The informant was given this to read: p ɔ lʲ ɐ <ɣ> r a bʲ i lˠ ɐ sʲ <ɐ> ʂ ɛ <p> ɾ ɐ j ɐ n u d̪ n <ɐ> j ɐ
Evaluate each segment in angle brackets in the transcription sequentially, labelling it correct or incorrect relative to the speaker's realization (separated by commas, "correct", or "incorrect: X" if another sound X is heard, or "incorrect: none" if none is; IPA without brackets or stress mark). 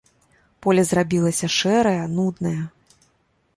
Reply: incorrect: z, correct, incorrect: none, correct